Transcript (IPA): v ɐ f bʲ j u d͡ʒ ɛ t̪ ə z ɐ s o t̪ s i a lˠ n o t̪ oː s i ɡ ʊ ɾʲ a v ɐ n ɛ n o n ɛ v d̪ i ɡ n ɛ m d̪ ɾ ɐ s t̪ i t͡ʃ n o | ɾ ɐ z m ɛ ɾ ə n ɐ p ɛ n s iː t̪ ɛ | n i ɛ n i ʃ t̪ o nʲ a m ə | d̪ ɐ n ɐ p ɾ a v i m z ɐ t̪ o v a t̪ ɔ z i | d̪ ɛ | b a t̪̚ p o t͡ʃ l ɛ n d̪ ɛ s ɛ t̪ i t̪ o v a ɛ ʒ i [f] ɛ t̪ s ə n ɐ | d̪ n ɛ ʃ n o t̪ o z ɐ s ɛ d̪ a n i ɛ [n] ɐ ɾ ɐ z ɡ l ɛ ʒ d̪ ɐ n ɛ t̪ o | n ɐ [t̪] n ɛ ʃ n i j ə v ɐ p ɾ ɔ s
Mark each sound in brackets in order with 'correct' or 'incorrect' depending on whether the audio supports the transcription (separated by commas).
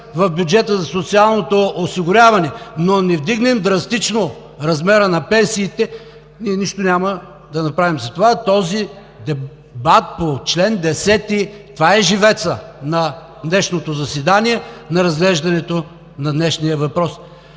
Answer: incorrect, correct, incorrect